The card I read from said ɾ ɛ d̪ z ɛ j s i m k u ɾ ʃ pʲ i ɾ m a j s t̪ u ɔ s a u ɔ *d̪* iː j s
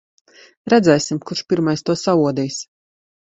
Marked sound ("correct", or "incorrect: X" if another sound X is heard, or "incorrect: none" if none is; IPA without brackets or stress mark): correct